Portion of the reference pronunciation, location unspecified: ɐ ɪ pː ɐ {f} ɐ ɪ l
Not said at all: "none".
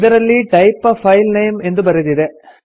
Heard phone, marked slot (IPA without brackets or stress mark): f